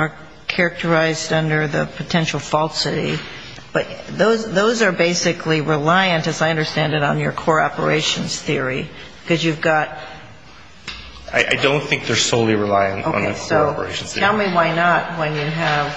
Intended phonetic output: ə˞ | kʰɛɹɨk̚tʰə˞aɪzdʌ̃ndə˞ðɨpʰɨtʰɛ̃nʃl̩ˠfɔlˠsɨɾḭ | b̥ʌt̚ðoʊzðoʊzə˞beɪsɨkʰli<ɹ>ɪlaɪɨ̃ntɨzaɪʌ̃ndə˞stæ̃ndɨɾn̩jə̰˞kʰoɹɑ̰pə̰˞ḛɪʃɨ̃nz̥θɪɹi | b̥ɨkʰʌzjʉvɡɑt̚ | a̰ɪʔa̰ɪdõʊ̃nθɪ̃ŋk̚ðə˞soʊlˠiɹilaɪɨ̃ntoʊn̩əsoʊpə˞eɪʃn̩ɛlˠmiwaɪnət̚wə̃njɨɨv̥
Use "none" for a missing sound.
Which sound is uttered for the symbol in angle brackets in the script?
ɹ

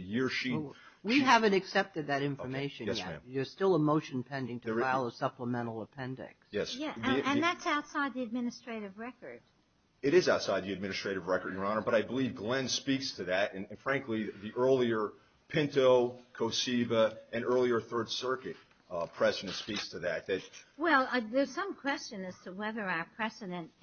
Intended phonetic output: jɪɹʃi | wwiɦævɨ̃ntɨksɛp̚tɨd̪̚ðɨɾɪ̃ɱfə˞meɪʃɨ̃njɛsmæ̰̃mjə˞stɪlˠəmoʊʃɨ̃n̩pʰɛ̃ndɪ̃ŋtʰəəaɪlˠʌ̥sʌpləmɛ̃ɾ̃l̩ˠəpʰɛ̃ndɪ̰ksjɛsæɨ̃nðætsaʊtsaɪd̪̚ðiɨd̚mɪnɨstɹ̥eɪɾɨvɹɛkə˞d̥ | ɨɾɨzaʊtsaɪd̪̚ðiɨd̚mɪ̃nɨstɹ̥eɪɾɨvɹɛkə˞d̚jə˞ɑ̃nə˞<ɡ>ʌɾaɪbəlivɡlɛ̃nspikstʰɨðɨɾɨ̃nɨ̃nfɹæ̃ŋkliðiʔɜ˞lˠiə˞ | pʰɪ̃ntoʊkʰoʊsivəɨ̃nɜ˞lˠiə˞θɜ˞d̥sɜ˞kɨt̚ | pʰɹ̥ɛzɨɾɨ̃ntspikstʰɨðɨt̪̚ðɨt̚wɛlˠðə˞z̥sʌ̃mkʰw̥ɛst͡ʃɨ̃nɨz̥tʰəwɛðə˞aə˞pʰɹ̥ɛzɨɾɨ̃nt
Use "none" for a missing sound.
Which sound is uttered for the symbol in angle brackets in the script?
b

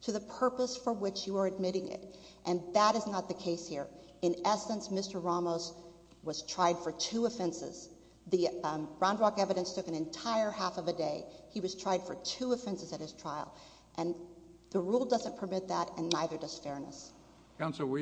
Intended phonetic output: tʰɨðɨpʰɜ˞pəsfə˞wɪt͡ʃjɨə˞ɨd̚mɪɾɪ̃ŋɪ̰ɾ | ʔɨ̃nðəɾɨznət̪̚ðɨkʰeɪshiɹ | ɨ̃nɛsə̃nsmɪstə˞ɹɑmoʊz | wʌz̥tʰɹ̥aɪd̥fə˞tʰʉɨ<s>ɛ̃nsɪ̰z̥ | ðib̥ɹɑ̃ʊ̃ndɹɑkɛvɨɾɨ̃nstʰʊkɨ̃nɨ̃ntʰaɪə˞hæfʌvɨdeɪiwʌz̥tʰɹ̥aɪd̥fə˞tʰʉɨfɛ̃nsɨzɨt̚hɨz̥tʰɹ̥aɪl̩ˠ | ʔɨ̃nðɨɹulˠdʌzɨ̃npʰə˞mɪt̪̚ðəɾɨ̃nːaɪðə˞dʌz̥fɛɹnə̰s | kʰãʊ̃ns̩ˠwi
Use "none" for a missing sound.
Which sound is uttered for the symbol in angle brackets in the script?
f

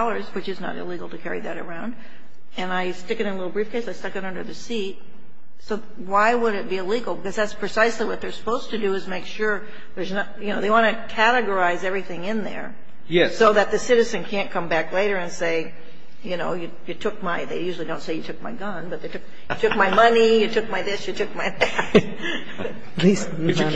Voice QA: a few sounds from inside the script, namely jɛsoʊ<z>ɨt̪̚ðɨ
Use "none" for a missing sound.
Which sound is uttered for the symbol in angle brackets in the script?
ð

